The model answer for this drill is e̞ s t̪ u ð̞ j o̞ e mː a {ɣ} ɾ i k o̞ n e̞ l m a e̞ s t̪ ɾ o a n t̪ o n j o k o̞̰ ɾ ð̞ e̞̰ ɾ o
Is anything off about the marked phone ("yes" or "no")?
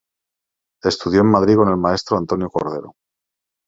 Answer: yes